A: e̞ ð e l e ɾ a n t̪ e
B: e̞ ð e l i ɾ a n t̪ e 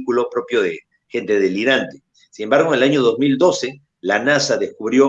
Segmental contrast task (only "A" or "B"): B